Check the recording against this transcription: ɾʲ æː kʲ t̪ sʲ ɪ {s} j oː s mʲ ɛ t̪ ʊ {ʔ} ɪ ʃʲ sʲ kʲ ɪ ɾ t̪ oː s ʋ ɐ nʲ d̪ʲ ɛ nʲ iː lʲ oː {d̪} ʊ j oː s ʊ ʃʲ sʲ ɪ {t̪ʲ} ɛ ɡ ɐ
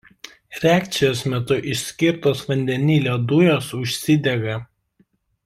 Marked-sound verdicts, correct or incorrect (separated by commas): incorrect, correct, correct, incorrect